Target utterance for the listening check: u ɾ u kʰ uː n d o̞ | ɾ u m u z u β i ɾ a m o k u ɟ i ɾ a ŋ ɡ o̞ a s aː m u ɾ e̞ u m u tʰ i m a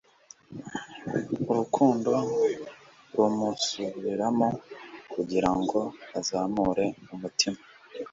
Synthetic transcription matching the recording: u ɾ u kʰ uː n d o̞ | ɾ u m u s u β i ɾ a m o k u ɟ i ɾ a ŋ ɡ o̞ a z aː m u ɾ e̞ u m u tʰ i m a